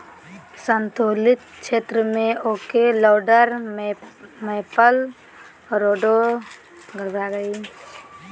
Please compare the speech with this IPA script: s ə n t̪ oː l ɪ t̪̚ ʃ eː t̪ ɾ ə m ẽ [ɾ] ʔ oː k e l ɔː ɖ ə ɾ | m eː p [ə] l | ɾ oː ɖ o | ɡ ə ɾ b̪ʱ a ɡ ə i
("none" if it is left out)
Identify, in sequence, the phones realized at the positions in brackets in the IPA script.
none, ə

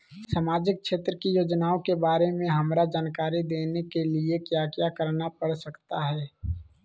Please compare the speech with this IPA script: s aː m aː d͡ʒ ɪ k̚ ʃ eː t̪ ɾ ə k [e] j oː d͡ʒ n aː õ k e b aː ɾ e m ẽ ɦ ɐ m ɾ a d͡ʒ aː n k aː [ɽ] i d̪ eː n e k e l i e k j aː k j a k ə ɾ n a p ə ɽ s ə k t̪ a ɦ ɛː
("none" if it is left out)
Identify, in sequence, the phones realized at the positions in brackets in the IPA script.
i, ɾ

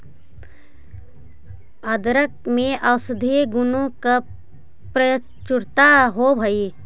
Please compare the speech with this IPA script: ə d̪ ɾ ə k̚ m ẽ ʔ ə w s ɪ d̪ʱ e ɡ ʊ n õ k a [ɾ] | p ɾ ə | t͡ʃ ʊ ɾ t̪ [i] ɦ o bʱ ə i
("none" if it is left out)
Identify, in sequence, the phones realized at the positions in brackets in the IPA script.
none, a

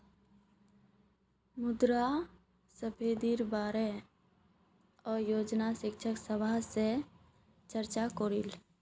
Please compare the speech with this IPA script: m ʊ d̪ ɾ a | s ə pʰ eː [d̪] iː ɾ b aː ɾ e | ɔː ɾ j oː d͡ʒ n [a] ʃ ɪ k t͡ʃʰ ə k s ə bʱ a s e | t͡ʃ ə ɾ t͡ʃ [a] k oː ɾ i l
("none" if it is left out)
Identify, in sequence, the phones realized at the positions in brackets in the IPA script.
d̪, a, a

